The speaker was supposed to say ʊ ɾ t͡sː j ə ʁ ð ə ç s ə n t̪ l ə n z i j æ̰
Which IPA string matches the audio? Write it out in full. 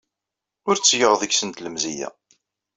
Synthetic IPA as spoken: ʊ ɾ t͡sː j ə ʁ ð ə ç s ə n t̪ l ə m z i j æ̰